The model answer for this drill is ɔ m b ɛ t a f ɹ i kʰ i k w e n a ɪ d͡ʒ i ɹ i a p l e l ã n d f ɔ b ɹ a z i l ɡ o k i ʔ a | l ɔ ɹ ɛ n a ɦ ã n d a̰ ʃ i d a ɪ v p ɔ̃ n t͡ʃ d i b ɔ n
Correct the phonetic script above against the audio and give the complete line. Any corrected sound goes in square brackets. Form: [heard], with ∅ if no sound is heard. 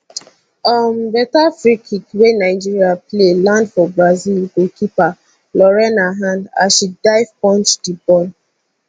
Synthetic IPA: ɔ m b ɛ t a f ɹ i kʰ i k w e n a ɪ d͡ʒ i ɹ i a p l e l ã n d f ɔ b ɹ a z i l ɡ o k i [p] a | l ɔ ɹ ɛ n a ɦ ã n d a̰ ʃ i d a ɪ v p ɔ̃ n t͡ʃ d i b ɔ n